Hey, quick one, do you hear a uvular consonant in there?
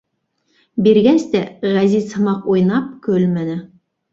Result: yes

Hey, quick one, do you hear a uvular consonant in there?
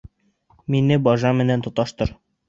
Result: no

